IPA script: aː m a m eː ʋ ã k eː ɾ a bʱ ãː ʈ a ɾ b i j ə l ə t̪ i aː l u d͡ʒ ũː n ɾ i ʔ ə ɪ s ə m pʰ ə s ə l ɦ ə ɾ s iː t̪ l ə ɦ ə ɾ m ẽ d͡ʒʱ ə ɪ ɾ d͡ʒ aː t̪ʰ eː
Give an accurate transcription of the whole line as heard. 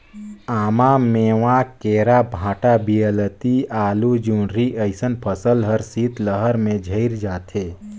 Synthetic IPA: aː m a m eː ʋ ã k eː ɾ a bʱ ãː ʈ a b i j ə l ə t̪ i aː l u d͡ʒ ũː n ɾ i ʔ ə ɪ s ə n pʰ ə s ə l ɦ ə ɾ s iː t̪ l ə ɦ ə ɾ m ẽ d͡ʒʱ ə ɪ ɾ d͡ʒ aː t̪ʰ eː

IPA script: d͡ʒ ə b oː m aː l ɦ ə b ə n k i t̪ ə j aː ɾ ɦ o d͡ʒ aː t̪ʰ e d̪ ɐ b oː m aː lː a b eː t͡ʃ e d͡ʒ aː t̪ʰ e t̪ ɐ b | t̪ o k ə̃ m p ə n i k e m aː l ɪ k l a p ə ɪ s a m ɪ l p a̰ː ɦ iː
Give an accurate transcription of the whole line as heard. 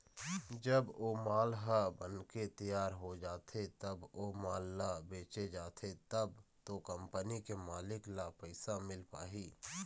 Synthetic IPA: d͡ʒ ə b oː m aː l ɦ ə b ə n k e t̪ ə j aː ɾ ɦ o d͡ʒ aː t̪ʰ e t̪ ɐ b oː m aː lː a b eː t͡ʃ e d͡ʒ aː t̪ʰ e t̪ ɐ b | t̪ o k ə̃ m p ə n i k e m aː l ɪ k l a p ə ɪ s a m ɪ l p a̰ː ɦ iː

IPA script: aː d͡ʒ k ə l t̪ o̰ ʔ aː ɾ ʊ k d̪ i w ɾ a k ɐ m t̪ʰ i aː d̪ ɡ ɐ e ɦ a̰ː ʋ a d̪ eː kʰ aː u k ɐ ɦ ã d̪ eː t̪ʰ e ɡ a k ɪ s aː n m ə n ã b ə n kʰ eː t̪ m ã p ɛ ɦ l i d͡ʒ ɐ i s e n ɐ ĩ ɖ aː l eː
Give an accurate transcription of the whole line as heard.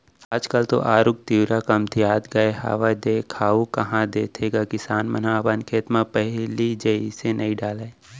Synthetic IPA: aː d͡ʒ k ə l t̪ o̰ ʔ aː ɾ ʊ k t̪ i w ɾ a k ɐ m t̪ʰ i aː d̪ ɡ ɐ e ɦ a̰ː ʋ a d̪ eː kʰ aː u k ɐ ɦ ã d̪ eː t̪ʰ e ɡ a k ɪ s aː n m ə n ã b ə n kʰ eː t̪ m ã p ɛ ɦ l i d͡ʒ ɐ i s e n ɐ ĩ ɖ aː l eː

